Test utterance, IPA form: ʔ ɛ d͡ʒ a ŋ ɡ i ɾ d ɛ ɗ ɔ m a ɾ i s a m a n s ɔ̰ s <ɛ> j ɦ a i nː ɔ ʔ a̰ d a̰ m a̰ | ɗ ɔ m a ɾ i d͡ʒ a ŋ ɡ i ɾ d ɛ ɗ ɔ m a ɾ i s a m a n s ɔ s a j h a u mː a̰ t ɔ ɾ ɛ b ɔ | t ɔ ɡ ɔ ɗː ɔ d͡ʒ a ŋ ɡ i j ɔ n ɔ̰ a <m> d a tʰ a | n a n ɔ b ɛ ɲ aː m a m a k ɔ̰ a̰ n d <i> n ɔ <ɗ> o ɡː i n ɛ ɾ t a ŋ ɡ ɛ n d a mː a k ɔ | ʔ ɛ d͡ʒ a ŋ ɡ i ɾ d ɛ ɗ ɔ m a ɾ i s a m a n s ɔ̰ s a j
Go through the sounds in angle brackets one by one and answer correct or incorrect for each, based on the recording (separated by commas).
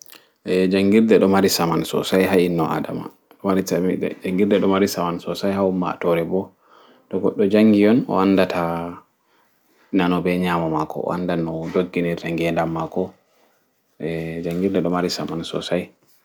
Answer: incorrect, incorrect, incorrect, incorrect